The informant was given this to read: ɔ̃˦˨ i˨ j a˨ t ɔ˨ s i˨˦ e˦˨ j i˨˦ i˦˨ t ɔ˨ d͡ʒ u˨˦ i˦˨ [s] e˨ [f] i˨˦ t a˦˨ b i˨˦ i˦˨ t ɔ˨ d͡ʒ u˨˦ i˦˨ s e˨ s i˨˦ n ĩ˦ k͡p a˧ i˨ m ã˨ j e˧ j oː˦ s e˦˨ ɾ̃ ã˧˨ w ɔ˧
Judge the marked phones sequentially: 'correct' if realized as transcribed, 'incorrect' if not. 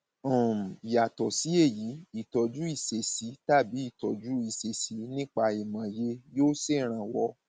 correct, incorrect: s

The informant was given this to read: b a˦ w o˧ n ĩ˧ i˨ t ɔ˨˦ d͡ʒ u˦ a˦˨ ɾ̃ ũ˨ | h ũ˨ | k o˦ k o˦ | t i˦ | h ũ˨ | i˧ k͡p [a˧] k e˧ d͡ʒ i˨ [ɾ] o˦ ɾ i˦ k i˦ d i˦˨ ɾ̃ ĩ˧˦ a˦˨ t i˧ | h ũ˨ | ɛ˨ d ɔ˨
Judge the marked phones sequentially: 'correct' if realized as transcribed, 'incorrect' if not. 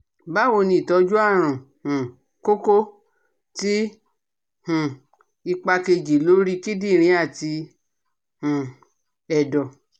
correct, incorrect: l

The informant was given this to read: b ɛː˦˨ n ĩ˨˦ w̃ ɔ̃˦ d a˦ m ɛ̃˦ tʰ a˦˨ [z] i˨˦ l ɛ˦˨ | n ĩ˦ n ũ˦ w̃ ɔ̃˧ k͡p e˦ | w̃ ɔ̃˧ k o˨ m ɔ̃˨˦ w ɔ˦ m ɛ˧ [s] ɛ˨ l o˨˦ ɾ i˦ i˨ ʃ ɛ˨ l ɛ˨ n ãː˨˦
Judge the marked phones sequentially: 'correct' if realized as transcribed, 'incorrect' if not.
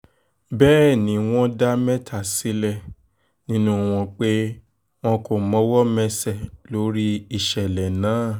incorrect: s, correct

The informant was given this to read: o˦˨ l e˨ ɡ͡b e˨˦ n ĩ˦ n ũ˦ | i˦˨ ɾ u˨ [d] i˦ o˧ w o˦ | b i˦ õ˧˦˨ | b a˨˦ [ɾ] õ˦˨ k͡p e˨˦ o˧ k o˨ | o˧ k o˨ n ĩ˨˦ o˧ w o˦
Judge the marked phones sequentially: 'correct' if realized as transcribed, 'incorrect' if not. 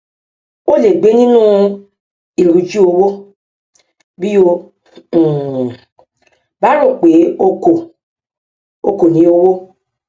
incorrect: d͡ʒ, correct

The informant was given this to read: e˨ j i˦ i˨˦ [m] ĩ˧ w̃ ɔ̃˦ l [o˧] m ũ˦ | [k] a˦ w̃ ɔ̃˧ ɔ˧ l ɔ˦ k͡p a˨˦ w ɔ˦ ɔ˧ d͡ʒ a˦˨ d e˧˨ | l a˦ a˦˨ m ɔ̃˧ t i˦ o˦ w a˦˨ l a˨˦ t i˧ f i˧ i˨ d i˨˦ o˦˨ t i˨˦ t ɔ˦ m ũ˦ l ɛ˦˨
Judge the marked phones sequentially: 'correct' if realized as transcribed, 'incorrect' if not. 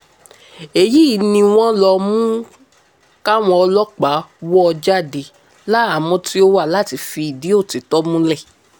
incorrect: n, incorrect: ɔ˧, correct

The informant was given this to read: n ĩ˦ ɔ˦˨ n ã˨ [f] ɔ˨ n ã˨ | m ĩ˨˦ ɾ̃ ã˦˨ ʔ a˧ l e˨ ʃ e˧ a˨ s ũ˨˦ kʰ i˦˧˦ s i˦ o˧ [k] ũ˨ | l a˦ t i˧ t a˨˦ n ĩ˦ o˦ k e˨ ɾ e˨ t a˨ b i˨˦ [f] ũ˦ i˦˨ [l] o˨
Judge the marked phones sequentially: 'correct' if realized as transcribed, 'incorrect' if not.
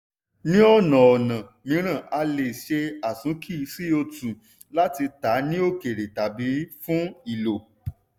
incorrect: none, incorrect: t, correct, correct

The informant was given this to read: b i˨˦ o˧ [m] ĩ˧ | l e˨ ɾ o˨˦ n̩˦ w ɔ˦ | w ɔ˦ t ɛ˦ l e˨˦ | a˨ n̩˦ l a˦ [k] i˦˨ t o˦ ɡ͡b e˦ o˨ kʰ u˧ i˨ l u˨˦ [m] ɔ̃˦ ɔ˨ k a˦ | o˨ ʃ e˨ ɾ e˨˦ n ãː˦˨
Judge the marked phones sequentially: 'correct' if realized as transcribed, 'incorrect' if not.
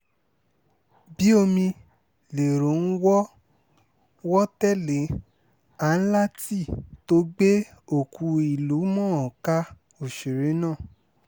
correct, incorrect: t, correct

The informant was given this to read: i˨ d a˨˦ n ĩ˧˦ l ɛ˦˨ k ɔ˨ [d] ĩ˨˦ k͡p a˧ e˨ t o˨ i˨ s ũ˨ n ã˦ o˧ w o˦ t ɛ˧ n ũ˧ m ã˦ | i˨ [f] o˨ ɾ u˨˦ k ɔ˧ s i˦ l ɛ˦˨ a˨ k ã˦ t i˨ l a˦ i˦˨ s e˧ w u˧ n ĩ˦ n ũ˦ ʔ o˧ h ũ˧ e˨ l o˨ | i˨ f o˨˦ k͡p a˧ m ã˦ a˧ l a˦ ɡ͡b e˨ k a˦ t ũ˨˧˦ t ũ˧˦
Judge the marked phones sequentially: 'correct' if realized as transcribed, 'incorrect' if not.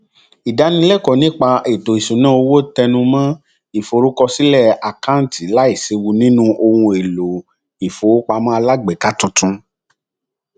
incorrect: n, correct

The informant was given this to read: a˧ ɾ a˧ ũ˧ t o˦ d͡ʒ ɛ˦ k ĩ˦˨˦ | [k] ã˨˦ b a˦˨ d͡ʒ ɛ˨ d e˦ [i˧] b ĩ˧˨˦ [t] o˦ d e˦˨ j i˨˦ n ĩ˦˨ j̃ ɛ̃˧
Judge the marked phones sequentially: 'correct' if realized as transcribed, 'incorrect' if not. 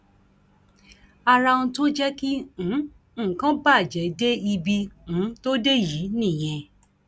correct, correct, correct

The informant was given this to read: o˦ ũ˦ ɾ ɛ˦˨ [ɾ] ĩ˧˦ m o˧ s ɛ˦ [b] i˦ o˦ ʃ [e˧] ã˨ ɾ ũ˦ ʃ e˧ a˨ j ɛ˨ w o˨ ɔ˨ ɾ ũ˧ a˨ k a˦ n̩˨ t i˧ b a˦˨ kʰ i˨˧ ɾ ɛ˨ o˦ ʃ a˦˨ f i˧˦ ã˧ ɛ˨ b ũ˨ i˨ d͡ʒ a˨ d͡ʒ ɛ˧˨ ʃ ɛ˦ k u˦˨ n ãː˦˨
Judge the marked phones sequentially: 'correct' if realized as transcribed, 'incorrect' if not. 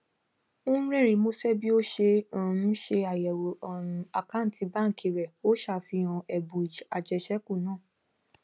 correct, correct, correct

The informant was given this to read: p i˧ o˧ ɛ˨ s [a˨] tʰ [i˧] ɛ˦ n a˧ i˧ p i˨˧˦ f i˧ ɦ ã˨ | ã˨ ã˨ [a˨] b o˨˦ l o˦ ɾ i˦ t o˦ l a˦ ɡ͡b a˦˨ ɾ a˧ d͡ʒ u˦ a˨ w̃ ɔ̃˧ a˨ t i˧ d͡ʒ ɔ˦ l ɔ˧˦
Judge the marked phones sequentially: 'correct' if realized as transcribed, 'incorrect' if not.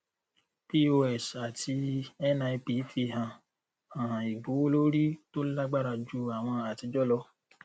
correct, correct, incorrect: i˨

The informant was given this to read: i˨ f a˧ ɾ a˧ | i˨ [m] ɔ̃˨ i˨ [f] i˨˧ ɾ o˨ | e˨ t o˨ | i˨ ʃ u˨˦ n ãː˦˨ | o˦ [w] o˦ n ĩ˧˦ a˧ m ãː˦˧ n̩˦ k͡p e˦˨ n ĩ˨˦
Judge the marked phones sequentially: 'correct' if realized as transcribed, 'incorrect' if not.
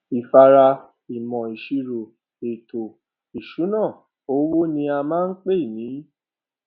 correct, incorrect: ʃ, correct

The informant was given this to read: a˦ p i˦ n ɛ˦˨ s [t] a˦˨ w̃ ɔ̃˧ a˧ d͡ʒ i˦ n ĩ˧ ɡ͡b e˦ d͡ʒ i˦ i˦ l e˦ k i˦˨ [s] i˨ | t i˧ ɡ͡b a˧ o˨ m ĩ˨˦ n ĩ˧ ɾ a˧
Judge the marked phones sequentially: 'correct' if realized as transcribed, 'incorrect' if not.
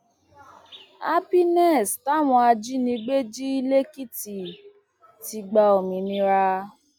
correct, incorrect: t

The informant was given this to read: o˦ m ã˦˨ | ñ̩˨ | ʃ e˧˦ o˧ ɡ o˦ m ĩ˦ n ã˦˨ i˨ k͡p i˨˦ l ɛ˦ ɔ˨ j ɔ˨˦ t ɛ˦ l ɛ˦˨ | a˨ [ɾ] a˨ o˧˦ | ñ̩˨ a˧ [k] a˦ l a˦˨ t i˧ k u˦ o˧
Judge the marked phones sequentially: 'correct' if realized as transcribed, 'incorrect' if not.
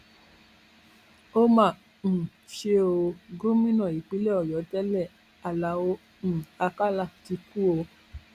incorrect: l, correct

